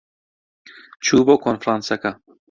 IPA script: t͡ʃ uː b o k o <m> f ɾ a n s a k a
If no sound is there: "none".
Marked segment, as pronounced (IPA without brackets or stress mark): n